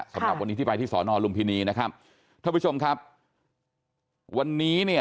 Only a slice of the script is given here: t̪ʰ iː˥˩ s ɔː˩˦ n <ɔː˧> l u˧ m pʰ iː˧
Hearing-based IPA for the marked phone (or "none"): ɔː˧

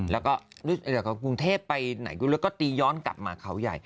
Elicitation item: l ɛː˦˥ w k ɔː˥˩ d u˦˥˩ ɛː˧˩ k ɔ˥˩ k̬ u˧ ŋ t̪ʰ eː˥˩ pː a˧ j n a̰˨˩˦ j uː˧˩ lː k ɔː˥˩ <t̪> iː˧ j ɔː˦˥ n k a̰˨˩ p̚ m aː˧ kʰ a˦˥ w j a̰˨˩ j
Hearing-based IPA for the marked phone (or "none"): t̪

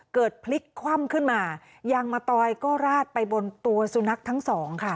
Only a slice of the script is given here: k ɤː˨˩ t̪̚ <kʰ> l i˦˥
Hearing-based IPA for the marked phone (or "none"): pʰ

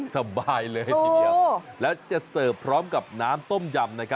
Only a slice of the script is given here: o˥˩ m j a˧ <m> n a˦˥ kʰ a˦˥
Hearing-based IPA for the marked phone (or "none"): m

